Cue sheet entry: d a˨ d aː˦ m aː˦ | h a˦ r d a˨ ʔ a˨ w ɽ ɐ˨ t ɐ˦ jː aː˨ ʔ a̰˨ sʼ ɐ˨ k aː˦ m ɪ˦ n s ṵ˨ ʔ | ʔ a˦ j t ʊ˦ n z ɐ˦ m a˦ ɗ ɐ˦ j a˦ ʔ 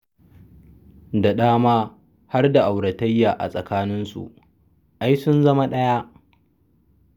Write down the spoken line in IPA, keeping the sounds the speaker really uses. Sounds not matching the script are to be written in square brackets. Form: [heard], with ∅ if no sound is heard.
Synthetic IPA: d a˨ [ɗ] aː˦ m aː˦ | h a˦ r d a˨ ʔ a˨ w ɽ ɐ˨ t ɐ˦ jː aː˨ ʔ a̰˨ sʼ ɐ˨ k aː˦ [n] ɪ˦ n s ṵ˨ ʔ | ʔ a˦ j [s] ʊ˦ n z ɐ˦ m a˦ ɗ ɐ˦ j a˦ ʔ

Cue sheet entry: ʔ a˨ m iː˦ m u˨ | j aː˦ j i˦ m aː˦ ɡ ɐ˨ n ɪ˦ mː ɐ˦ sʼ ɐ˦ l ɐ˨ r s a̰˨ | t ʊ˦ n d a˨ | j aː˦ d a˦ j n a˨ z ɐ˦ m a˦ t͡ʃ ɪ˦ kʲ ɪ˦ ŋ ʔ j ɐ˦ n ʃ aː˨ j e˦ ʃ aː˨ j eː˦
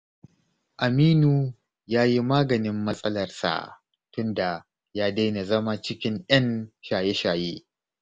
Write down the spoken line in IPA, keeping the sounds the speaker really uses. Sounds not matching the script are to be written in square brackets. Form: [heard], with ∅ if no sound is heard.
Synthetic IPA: ʔ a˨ m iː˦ [n] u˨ | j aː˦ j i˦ m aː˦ ɡ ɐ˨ n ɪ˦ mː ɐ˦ sʼ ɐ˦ l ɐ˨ r s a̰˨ | t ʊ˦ n d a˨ | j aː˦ d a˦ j n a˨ z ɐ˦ m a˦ t͡ʃ ɪ˦ kʲ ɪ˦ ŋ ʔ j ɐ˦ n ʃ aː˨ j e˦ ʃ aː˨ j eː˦

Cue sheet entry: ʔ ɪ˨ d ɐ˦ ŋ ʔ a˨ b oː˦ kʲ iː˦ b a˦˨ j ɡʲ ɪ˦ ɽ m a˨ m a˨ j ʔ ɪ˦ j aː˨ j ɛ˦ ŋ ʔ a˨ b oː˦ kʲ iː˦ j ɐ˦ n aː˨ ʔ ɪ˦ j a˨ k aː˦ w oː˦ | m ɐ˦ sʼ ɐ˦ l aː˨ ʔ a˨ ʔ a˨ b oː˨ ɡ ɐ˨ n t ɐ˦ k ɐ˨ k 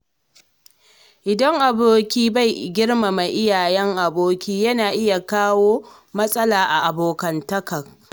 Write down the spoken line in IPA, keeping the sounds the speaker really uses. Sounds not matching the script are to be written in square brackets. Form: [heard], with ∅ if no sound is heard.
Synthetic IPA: ʔ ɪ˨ d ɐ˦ ŋ ʔ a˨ b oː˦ kʲ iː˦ b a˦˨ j ɡʲ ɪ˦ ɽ m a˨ m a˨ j ʔ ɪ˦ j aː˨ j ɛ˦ ŋ ʔ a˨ b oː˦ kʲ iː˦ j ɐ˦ n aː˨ ʔ ɪ˦ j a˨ k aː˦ w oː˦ | m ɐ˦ sʼ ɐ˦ l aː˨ ʔ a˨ ʔ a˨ b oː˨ [k] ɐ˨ n t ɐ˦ k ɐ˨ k

